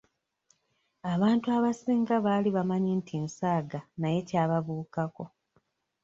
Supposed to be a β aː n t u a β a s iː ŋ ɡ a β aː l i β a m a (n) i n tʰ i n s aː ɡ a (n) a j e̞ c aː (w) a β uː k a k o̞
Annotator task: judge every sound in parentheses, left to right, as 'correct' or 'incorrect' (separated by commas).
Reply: incorrect, correct, incorrect